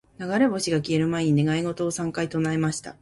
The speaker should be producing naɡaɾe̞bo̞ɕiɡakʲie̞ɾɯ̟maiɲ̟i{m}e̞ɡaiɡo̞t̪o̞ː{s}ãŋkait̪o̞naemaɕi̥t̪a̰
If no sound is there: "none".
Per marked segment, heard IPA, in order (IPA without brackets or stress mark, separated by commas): n, s